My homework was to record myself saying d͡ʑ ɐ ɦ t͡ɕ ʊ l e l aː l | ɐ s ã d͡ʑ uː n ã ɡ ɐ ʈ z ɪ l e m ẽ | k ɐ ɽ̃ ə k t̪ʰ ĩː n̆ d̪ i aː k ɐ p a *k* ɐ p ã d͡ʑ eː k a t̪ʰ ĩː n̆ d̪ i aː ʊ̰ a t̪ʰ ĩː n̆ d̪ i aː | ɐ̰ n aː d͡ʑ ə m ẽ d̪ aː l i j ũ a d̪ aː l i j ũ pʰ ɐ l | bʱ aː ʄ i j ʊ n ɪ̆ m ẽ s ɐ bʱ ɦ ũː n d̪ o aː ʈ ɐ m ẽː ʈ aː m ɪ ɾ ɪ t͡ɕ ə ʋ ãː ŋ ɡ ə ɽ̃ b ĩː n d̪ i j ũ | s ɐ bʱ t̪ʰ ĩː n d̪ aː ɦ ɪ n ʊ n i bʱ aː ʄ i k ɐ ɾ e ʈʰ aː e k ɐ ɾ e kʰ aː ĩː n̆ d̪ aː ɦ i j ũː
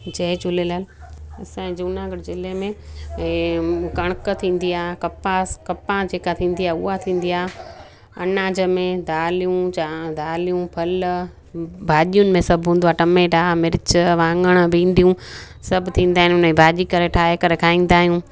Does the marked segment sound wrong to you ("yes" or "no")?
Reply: no